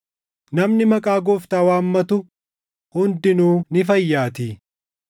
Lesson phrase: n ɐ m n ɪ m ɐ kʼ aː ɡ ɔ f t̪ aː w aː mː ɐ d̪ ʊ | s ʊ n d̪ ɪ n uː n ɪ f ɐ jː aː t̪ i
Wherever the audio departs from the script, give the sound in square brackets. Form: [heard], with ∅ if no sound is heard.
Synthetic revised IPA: n ɐ m n ɪ m ɐ kʼ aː ɡ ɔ f t̪ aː w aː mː ɐ [t̪] ʊ | [h] ʊ n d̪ ɪ n uː n ɪ f ɐ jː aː t̪ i